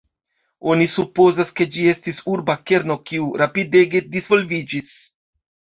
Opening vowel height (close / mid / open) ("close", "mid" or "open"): mid